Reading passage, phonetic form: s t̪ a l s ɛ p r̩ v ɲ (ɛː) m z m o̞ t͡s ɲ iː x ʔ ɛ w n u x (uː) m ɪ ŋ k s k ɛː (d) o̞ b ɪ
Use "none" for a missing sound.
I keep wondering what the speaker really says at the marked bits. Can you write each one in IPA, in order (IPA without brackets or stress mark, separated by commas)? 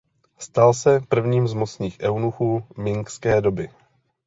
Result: iː, uː, d